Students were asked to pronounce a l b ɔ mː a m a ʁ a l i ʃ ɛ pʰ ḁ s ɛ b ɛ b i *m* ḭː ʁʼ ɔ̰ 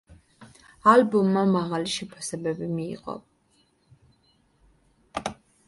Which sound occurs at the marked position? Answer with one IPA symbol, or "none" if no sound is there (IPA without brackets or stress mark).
m